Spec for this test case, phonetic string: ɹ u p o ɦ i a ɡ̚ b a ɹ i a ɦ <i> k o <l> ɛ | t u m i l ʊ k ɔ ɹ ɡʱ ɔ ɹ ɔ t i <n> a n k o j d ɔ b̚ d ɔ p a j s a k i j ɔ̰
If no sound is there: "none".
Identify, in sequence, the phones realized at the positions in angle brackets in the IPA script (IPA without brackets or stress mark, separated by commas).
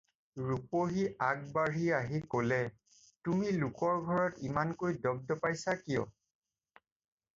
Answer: i, l, m